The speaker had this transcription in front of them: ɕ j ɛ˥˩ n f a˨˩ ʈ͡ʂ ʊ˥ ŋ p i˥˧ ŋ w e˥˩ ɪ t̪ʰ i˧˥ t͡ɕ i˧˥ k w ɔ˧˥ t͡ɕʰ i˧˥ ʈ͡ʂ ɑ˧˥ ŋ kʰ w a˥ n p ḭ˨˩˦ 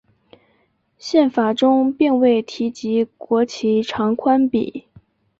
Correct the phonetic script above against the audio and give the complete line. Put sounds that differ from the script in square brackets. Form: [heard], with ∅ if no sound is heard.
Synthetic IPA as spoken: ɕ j ɛ˥˩ n f a˨˩ ʈ͡ʂ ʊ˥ ŋ p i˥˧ ŋ w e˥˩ ɪ t̪ʰ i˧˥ t͡ɕ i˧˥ k w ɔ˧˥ t͡ɕʰ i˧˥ [ʈ͡ʂʰ] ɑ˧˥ ŋ kʰ w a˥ n p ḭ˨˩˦